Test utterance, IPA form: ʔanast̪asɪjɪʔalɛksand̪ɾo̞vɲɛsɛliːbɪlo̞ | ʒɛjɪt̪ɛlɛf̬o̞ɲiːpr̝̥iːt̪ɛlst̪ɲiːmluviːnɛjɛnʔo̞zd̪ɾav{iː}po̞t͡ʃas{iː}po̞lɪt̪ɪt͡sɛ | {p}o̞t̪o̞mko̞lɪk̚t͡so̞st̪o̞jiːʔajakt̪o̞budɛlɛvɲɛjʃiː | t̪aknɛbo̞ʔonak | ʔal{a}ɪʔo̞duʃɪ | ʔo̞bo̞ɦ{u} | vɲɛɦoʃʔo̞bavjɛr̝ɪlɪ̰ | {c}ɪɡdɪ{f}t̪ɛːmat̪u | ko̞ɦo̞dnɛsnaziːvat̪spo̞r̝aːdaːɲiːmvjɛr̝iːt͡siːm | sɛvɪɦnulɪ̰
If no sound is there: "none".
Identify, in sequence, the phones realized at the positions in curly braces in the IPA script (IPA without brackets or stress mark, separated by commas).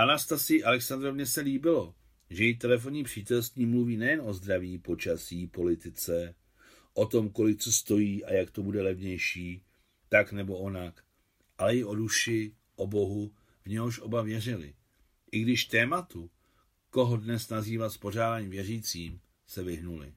iː, iː, ʔ, ɛ, u, ʔ, ʃ